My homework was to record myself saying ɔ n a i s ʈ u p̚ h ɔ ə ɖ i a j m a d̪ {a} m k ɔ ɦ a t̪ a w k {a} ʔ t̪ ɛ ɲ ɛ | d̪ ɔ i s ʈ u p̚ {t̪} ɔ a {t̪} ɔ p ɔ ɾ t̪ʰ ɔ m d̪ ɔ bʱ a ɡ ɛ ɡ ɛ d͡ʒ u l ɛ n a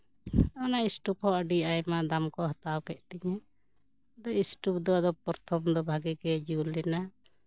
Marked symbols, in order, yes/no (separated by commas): yes, no, no, no